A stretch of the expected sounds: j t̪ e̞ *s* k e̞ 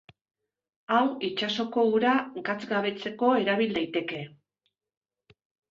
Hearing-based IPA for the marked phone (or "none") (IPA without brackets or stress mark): none